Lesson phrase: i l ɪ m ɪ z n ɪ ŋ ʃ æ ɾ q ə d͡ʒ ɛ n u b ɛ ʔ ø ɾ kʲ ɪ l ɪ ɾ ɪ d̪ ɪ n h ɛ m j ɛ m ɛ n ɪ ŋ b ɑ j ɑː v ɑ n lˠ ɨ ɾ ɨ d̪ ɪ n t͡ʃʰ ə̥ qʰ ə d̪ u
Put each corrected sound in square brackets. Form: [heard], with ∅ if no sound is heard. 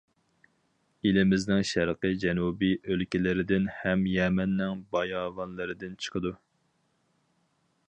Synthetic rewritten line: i l ɪ m ɪ z n ɪ ŋ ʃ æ ɾ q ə d͡ʒ ɛ n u b [i] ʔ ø [l] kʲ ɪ l ɪ ɾ ɪ d̪ ɪ n h ɛ m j ɛ m ɛ [nː] ɪ ŋ b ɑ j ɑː v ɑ n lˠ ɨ ɾ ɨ d̪ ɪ n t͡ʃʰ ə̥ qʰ ə d̪ u